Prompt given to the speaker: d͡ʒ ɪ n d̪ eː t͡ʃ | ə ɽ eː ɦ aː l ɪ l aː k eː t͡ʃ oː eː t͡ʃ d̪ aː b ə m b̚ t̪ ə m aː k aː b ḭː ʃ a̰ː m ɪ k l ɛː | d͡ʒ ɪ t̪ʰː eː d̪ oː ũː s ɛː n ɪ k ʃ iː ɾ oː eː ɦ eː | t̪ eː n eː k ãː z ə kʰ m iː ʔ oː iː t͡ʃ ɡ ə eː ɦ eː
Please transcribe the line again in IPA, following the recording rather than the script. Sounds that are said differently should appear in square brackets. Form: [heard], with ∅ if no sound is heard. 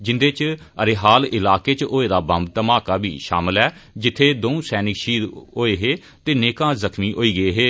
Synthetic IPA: d͡ʒ ɪ n d̪ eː t͡ʃ | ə [ɾ] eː ɦ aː l ɪ l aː k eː t͡ʃ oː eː [∅] d̪ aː b ə m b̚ t̪ ə m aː k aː b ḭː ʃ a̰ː m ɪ [∅] l ɛː | d͡ʒ ɪ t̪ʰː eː d̪ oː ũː s ɛː n ɪ k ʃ iː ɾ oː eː ɦ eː | t̪ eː n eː k ãː z ə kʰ m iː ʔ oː iː [∅] ɡ ə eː ɦ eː